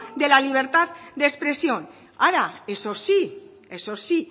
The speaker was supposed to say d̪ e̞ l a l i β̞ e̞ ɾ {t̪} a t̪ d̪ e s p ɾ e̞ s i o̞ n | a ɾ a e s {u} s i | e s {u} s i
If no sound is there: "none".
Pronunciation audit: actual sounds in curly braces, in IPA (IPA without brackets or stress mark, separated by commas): t̪, o, o